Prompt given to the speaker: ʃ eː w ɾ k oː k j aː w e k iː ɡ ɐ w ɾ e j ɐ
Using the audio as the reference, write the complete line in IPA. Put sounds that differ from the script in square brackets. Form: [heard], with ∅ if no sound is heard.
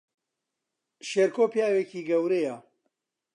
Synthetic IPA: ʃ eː [∅] ɾ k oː [p] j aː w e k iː ɡ ɐ w ɾ e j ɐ

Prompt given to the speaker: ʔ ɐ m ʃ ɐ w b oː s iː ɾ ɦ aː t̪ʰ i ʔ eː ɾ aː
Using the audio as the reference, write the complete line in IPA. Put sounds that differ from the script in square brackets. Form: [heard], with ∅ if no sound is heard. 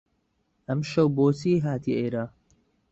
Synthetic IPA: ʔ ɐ m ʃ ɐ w b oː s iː [∅] ɦ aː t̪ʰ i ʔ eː ɾ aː

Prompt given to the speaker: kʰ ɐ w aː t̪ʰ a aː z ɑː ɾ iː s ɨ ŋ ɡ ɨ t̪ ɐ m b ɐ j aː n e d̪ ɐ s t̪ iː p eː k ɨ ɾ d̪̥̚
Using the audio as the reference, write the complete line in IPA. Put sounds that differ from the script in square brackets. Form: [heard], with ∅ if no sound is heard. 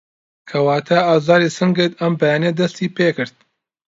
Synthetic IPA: kʰ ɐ w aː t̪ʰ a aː z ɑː ɾ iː s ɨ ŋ ɡ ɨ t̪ ɐ m b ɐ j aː n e d̪ ɐ s t̪ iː p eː k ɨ ɾ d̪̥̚

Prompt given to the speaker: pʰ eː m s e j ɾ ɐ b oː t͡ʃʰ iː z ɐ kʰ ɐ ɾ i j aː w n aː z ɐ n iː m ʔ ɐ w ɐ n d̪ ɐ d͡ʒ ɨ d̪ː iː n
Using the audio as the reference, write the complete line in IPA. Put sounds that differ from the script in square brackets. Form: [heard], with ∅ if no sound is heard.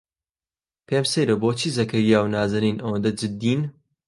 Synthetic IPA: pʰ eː m s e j ɾ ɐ b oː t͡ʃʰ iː z ɐ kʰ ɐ ɾ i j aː w n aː z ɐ n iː [n] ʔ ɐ w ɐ n d̪ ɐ d͡ʒ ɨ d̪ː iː n

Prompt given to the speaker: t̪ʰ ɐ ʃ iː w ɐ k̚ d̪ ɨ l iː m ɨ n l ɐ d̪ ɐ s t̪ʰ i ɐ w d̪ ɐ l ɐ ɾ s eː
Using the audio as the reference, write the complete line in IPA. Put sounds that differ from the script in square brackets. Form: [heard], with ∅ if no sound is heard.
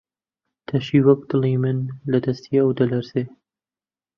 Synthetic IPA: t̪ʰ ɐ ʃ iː w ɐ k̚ d̪ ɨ l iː m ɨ n l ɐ d̪ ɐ s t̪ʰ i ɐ w d̪ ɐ l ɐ ɾ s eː

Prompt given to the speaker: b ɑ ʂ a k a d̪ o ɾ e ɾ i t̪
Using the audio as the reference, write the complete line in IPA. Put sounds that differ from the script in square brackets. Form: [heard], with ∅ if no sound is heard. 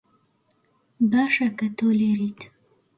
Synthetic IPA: b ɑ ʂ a k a [t̪] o [l] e ɾ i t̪

